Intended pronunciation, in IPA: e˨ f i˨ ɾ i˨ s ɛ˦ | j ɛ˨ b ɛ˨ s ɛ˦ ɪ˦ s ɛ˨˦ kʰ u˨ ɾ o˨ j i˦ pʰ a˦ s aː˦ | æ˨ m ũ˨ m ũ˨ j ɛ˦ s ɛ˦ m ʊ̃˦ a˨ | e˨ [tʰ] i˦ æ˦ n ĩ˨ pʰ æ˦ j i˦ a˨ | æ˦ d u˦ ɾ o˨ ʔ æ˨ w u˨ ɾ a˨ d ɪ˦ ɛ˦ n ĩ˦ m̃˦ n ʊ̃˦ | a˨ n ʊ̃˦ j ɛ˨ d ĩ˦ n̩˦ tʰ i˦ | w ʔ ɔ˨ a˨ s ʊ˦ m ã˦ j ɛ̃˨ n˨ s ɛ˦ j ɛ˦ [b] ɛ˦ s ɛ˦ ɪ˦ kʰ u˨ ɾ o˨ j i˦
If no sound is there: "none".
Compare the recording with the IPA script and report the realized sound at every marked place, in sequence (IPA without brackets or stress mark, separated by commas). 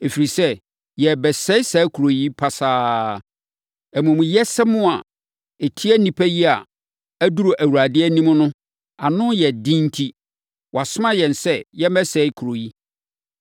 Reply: tʰ, m